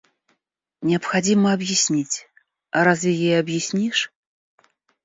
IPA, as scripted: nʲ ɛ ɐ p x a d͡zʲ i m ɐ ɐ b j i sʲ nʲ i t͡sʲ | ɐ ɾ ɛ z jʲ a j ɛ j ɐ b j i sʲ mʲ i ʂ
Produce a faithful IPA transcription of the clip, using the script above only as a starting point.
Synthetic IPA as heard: nʲ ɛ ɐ p x a d͡zʲ i m ɐ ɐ b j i sʲ nʲ i t͡sʲ | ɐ ɾ a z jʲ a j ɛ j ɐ b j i sʲ nʲ i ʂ